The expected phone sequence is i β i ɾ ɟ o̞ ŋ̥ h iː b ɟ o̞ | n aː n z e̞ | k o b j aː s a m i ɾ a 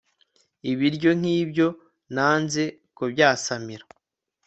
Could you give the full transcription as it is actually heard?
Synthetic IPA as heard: i β i ɾ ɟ o̞ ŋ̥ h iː b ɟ o̞ | n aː n z e̞ | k o b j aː s a m i ɾ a